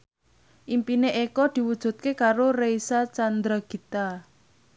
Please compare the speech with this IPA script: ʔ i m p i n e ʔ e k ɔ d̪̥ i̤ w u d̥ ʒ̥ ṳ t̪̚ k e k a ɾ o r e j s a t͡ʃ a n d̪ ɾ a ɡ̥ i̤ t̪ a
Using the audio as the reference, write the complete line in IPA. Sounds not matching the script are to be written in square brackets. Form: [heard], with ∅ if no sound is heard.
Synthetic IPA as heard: ʔ i m p i n e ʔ e k ɔ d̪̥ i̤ w u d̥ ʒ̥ ṳ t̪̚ k e k a ɾ o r e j s a t͡ʃ a n d̪ ɾ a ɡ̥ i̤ t̪ a